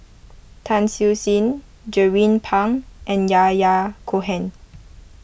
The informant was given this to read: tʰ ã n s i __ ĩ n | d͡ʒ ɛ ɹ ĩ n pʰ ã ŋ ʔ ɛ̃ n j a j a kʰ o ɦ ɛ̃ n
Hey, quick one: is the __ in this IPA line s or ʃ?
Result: s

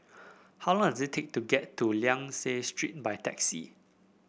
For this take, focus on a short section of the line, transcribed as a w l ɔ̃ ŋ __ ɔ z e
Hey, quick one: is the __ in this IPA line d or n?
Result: d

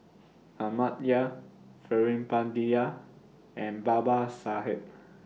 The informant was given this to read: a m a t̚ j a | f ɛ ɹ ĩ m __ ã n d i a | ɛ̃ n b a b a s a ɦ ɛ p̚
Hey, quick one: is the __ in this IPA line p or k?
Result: p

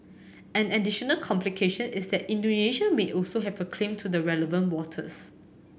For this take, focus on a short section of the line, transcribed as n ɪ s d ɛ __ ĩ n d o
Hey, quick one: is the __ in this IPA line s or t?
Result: t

